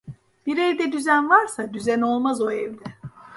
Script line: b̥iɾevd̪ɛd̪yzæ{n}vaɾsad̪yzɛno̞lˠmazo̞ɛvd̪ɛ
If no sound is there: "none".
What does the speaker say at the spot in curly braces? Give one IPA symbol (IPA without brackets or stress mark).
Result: n